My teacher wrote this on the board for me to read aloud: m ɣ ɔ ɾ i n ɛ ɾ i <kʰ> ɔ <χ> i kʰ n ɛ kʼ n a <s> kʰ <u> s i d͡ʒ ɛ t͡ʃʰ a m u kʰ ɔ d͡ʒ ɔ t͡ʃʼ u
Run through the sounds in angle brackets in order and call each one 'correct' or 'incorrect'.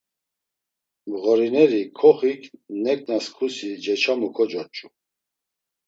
correct, correct, correct, correct

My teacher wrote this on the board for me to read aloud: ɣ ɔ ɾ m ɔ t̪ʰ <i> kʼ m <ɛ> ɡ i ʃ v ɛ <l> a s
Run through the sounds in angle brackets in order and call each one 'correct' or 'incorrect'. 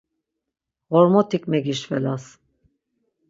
correct, correct, correct

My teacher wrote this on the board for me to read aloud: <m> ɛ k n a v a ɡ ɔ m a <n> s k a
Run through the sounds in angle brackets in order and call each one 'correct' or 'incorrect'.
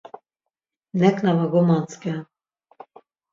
incorrect, correct

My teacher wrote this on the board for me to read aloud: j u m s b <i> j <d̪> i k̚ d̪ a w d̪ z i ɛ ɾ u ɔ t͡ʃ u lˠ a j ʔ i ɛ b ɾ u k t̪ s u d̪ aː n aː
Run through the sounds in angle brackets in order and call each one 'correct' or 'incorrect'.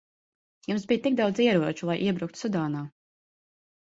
correct, incorrect

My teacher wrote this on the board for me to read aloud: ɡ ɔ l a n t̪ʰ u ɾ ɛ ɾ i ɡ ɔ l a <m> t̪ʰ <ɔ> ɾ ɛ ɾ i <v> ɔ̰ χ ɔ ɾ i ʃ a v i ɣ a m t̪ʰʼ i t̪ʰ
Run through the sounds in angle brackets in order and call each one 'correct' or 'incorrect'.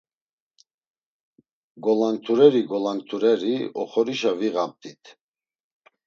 incorrect, incorrect, incorrect

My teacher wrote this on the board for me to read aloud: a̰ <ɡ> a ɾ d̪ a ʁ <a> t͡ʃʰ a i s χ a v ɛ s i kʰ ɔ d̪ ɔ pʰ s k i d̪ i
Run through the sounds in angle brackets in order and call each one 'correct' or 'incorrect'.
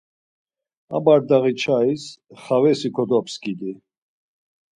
incorrect, incorrect

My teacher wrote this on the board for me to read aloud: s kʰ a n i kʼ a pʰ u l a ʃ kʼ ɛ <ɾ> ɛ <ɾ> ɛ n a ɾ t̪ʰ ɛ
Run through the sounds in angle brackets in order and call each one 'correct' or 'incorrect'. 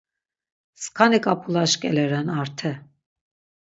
incorrect, correct

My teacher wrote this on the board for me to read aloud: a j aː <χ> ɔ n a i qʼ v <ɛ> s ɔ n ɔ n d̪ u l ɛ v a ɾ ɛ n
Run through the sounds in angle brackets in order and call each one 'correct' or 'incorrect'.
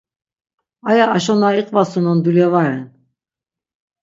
incorrect, incorrect

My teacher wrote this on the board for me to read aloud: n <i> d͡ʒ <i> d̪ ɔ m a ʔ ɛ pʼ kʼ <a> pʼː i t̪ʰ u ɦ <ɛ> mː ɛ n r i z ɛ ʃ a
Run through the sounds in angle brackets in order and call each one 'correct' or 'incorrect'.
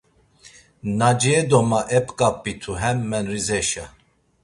incorrect, incorrect, correct, correct

